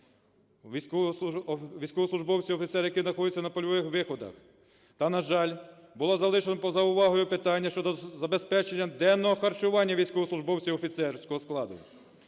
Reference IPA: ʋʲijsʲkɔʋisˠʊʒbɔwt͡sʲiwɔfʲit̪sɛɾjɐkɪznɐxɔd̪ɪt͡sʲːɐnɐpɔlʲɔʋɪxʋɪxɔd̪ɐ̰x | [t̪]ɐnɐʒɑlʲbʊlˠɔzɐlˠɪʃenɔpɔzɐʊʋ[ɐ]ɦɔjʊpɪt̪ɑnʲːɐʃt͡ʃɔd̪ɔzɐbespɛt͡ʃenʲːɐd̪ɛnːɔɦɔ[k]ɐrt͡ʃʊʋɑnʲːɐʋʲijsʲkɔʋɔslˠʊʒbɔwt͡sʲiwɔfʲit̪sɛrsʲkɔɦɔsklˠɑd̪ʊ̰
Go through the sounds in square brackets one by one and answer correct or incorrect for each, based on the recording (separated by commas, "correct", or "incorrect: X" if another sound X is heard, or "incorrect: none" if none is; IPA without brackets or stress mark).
correct, incorrect: ɑ, incorrect: x